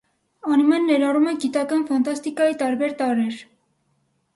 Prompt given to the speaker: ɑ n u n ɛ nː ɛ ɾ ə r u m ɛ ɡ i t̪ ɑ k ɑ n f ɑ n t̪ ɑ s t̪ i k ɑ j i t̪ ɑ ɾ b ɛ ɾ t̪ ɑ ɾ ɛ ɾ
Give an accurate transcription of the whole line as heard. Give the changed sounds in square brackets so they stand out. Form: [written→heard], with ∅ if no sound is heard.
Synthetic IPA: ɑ n u [n→m] ɛ nː ɛ ɾ [ə→ɑ] r u m ɛ ɡ i t̪ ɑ k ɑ n f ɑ n t̪ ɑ s t̪ i k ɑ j i t̪ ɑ ɾ b ɛ ɾ t̪ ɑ ɾ ɛ ɾ